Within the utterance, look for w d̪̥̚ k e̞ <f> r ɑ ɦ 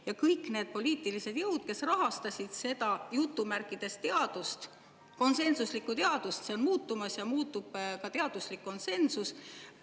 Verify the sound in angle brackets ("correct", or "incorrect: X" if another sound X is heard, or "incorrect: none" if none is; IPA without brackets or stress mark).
incorrect: s